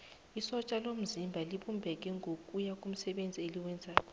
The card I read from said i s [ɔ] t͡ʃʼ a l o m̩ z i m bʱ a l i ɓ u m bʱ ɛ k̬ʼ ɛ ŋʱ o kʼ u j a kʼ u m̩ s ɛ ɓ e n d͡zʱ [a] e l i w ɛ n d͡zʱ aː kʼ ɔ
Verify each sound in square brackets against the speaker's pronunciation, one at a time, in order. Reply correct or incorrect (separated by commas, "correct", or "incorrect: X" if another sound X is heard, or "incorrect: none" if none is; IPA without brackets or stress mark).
correct, incorrect: i